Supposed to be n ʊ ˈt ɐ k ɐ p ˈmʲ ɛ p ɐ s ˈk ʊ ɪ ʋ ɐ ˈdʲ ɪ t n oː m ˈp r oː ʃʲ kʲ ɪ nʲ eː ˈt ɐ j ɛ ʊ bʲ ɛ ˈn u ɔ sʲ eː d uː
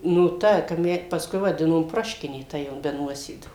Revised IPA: n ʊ ˈt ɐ k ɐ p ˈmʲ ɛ p ɐ s ˈk ʊ ɪ ʋ ɐ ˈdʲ ɪ n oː m ˈp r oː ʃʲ kʲ ɪ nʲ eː ˈt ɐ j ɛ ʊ bʲ ɛ ˈn u ɔ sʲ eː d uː

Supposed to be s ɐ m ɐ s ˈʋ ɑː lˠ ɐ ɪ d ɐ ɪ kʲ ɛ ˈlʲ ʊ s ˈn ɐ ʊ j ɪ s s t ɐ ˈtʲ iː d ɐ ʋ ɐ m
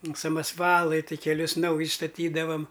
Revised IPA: s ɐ m ɐ s ˈʋ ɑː lˠ ɐ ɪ t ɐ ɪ kʲ ɛ ˈlʲ ʊ s ˈn ɐ ʊ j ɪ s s t ɐ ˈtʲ iː d ɐ ʋ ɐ m

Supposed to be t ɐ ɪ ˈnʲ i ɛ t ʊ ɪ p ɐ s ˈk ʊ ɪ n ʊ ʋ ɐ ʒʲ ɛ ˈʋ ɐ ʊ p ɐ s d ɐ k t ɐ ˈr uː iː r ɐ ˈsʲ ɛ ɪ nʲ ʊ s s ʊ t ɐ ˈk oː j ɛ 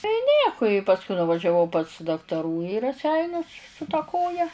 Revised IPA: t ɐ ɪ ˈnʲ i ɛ k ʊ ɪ p ɐ s ˈk ʊ ɪ n ʊ ʋ ɐ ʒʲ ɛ ˈʋ ɐ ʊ p ɐ s d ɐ k t ɐ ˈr uː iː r ɐ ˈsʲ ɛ ɪ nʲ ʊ s s ʊ t ɐ ˈk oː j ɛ

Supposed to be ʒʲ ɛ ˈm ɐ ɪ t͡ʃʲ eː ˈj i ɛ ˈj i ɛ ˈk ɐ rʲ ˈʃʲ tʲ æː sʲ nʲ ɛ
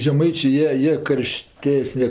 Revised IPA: ʒʲ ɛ ˈm ɐ ɪ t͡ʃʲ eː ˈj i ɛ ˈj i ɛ ˈk ɐ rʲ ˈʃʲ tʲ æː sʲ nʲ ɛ

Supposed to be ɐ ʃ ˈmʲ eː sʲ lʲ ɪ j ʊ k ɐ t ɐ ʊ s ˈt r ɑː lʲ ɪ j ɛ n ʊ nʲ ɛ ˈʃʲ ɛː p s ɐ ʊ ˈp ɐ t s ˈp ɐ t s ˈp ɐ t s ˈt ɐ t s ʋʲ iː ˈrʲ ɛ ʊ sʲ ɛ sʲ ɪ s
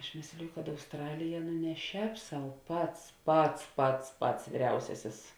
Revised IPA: ɐ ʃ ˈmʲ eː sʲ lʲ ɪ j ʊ k ɐ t ɐ ʊ s ˈt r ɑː lʲ ɪ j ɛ n ʊ nʲ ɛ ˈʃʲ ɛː p s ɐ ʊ ˈp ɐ t s ˈp ɐ t s ˈp ɐ t s ˈp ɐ t s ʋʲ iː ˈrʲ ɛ ʊ sʲ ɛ sʲ ɪ s

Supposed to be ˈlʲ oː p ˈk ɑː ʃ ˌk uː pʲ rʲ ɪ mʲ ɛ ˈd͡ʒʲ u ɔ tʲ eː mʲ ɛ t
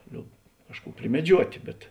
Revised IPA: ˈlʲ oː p ˈk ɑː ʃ ˌk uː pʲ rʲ ɪ mʲ ɛ ˈd͡ʒʲ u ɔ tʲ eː bʲ ɛ t

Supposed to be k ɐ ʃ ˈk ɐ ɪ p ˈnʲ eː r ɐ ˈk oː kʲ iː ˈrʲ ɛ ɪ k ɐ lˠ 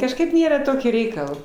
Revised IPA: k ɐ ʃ ˈk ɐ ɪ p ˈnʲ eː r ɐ ˈt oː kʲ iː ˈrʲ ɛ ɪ k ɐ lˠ

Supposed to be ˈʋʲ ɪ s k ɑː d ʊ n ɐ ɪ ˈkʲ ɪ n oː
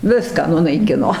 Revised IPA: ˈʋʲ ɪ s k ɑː n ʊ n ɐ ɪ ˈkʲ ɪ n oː

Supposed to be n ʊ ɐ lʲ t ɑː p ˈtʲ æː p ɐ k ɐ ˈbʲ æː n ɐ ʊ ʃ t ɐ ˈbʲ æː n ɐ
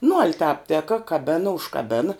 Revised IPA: n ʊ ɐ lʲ t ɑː p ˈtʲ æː k ɐ k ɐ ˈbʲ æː n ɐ ʊ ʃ k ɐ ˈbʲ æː n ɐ

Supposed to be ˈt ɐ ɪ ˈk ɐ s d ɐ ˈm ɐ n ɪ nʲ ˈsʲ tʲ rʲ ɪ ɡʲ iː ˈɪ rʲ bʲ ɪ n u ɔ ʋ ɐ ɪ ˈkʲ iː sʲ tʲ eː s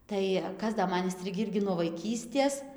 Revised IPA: ˈt ɐ ɪ ˈk ɐ s d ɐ ˈm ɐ n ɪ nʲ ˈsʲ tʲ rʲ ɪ ɡʲ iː ˈɪ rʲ ɡʲ ɪ n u ɔ ʋ ɐ ɪ ˈkʲ iː sʲ tʲ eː s

